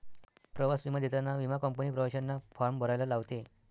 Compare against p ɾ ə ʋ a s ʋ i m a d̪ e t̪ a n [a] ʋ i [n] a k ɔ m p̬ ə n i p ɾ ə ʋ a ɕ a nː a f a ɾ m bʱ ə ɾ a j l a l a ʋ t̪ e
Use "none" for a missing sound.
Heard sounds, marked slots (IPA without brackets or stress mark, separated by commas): a, m